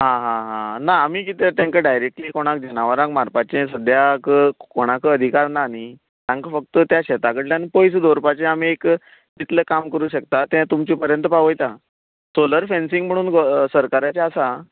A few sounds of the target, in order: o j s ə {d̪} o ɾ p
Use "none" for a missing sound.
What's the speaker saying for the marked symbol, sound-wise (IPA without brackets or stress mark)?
d̪